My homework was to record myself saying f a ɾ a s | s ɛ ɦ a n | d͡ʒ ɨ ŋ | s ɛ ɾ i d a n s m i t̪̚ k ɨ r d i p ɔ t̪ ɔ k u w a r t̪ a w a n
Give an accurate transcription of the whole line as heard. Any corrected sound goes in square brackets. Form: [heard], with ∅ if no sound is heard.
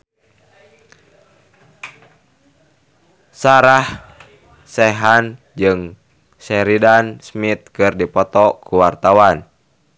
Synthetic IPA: [s] a ɾ a [h] | s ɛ ɦ a n | d͡ʒ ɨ ŋ | s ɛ ɾ i d a n s m i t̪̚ k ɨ r d i p ɔ t̪ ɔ k u w a r t̪ a w a n